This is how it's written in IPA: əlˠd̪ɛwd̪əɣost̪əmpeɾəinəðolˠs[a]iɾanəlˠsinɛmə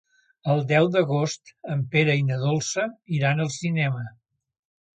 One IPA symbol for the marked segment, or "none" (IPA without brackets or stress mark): ə